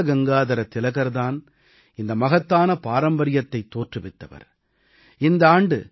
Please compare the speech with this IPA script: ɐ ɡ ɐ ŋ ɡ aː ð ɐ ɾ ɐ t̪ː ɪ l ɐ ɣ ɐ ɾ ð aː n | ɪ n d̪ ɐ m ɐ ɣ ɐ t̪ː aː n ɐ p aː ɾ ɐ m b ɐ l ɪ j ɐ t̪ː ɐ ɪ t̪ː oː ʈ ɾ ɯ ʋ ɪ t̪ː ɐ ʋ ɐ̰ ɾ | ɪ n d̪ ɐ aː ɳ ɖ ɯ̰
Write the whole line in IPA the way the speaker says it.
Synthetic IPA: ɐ ɡ ɐ ŋ ɡ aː ð ɐ ɾ ɐ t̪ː ɪ l ɐ ɣ ɐ ɾ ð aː n | ɪ n d̪ ɐ m ɐ ɣ ɐ t̪ː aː n ɐ p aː ɾ ɐ m b ɐ ɾ ɪ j ɐ t̪ː ɐ ɪ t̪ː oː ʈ r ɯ ʋ ɪ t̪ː ɐ ʋ ɐ̰ ɾ | ɪ n d̪ ɐ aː ɳ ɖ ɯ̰

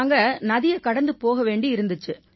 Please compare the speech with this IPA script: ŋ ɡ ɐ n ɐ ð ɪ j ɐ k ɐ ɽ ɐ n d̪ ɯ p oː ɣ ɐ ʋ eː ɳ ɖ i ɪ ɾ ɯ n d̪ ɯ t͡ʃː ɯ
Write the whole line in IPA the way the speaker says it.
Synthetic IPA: ŋ ɡ ɐ n ɐ ð ɪ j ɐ k ɐ ɽ ɐ n d̪ ɯ p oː ɣ ɐ ʋ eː ɳ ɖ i ɪ ɾ ɯ n d̪ ɯ t͡ʃː ɯ

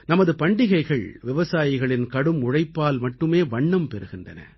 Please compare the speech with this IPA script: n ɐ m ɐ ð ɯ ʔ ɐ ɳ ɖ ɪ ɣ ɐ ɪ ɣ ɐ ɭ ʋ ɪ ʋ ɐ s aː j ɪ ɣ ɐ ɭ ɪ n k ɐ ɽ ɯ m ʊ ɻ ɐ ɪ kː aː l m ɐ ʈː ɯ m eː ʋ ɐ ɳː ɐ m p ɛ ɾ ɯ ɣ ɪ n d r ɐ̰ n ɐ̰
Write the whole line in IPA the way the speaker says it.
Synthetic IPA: n ɐ m ɐ ð ɯ p ɐ ɳ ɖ ɪ ɣ ɐ ɪ ɣ ɐ ɭ ʋ ɪ ʋ ɐ s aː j ɪ ɣ ɐ ɭ ɪ n k ɐ ɽ ɯ m ʊ ɻ ɐ ɪ pː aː l m ɐ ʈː ɯ m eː ʋ ɐ ɳː ɐ m p ɛ ɾ ɯ ɣ ɪ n d r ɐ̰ n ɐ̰

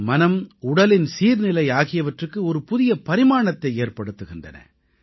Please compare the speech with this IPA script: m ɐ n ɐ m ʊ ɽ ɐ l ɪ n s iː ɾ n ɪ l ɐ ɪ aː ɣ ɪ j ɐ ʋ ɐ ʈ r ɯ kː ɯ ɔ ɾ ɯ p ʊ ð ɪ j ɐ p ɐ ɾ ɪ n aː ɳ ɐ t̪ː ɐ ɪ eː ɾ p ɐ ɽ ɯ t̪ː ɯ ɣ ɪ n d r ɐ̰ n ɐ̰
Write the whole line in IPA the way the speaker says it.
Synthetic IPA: m ɐ n ɐ m ʊ ɽ ɐ l ɪ n s iː ɾ n ɪ l ɐ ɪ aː ɣ ɪ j ɐ ʋ ɐ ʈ r ɯ kː ɯ ɔ ɾ ɯ p ʊ ð ɪ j ɐ p ɐ ɾ ɪ m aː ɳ ɐ t̪ː ɐ ɪ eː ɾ p ɐ ɽ ɯ t̪ː ɯ ɣ ɪ n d r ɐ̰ n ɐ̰

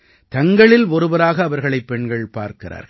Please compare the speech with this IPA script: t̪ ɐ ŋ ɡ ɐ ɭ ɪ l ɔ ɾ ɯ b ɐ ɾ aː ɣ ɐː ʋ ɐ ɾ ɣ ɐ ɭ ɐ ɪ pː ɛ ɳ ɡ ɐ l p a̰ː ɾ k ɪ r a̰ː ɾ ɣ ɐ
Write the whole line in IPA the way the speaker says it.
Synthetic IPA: t̪ ɐ ŋ ɡ ɐ ɭ ɪ l ɔ ɾ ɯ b ɐ ɾ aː ɣ ɐː ʋ ɐ ɾ ɣ ɐ ɭ ɐ ɪ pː ɛ ɳ ɡ ɐ ɭ p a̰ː ɾ k ɪ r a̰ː ɾ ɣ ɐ

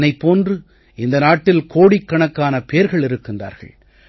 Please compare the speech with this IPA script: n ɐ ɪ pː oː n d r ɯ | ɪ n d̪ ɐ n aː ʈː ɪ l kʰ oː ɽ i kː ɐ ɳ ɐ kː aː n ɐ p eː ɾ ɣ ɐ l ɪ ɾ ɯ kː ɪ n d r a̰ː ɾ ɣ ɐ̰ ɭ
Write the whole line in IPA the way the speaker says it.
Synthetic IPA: n ɐ ɪ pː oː n d r ɯ | ɪ n d̪ ɐ n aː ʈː ɪ l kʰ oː ɽ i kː ɐ ɳ ɐ kː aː n ɐ p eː ɾ ɣ ɐ ɭ ɪ ɾ ɯ kː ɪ n d r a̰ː ɾ ɣ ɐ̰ ɭ

